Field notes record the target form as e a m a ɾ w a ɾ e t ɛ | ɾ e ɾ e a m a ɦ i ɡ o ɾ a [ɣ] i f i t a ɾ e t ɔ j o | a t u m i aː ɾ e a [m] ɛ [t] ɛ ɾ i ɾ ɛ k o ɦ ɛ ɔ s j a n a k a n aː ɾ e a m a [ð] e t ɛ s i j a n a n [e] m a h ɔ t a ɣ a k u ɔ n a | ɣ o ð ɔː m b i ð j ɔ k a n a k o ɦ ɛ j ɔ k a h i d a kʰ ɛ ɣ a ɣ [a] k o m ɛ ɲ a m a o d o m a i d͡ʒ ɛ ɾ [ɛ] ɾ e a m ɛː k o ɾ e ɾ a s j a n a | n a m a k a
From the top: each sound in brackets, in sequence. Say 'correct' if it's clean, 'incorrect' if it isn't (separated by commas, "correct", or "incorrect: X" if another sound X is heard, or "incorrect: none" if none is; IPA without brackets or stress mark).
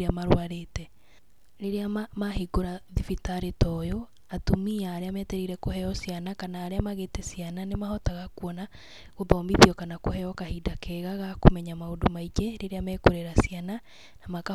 incorrect: ð, correct, correct, incorrect: ɣ, correct, correct, incorrect: e